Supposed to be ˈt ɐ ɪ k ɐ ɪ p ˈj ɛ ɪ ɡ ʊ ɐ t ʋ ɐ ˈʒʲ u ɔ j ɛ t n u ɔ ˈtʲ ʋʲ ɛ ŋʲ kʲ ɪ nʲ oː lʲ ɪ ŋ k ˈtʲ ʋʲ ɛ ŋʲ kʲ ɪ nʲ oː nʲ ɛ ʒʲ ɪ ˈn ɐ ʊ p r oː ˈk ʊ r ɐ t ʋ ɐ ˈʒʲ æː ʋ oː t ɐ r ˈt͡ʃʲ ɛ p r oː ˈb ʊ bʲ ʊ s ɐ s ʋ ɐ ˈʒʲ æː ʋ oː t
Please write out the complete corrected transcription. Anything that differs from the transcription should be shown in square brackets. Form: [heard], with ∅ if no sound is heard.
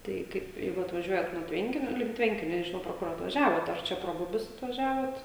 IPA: ˈt ɐ ɪ k ɐ ɪ p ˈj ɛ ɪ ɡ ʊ ɐ t ʋ ɐ ˈʒʲ u ɔ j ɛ t n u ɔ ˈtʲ ʋʲ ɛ ŋʲ kʲ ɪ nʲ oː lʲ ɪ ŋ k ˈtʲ ʋʲ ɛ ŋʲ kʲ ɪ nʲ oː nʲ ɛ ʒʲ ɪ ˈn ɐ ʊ p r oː ˈk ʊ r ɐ t ʋ ɐ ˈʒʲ æː ʋ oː t ɐ r ˈt͡ʃʲ ɛ p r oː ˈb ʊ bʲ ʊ s ɐ [t] ʋ ɐ ˈʒʲ æː ʋ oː t

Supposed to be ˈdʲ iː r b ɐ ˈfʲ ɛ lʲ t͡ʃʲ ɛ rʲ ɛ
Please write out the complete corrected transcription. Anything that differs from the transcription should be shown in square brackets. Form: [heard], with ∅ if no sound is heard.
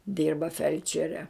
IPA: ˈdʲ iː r b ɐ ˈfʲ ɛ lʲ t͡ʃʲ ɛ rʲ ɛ

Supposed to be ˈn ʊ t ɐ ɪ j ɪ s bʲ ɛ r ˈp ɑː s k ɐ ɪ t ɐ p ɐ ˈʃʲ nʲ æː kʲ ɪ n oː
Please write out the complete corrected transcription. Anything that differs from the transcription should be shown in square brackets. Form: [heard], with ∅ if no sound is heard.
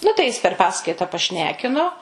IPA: ˈn ʊ t ɐ ɪ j ɪ s [pʲ] ɛ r ˈp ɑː s k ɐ ɪ t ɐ p ɐ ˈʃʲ nʲ æː kʲ ɪ n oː

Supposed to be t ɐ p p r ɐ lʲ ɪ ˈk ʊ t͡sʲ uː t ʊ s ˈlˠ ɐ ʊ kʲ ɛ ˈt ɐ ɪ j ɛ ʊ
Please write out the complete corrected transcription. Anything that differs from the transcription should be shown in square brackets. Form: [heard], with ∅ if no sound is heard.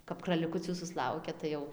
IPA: [k] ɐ p [k] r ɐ lʲ ɪ ˈk ʊ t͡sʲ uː [s] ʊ s ˈlˠ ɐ ʊ kʲ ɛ ˈt ɐ ɪ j ɛ ʊ

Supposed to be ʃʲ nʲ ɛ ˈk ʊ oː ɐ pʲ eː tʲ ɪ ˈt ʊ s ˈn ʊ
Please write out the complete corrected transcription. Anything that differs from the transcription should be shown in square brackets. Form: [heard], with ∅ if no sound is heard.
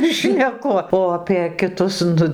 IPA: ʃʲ nʲ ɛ ˈk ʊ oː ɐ pʲ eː [kʲ] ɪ ˈt ʊ s ˈn ʊ

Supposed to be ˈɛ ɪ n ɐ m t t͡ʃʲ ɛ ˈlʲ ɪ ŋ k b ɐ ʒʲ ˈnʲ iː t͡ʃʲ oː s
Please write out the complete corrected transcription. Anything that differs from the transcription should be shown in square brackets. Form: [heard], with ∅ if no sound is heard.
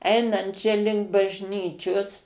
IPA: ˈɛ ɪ n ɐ [n] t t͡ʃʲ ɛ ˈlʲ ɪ ŋ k b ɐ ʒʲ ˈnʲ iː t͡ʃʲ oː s

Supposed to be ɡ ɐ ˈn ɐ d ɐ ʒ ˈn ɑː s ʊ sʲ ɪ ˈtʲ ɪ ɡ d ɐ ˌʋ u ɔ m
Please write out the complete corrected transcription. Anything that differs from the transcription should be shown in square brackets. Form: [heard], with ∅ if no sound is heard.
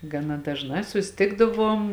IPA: ɡ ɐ ˈn ɐ d ɐ ʒ ˈn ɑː s ʊ sʲ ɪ ˈtʲ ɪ ɡ d ɐ ˌʋ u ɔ m

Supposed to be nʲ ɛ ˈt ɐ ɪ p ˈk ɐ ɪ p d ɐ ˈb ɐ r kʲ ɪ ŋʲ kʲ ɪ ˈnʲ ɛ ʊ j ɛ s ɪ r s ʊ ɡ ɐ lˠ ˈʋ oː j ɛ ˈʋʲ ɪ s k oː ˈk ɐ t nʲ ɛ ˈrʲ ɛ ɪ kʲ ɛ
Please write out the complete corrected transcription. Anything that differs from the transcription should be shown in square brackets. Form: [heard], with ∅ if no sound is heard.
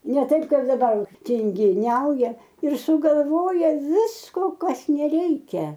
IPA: nʲ ɛ ˈt ɐ ɪ p ˈk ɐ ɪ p d ɐ ˈb ɐ r [tʲ] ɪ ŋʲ [ɡʲ] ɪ ˈnʲ ɛ ʊ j ɛ [∅] ɪ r s ʊ ɡ ɐ lˠ ˈʋ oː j ɛ ˈʋʲ ɪ s k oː ˈk ɐ [s] nʲ ɛ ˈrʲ ɛ ɪ kʲ ɛ

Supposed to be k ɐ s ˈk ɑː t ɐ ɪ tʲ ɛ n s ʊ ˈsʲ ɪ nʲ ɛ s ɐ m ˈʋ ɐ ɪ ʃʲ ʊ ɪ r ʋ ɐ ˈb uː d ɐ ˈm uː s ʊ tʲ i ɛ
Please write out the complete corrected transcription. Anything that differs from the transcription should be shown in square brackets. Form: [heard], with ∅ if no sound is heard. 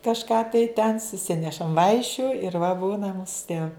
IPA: k ɐ [ʃ] ˈk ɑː t ɐ ɪ tʲ ɛ n s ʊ ˈsʲ ɪ nʲ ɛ [ʃ] ɐ m ˈʋ ɐ ɪ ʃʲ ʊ ɪ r ʋ ɐ ˈb uː [n] ɐ ˈm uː s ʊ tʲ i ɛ

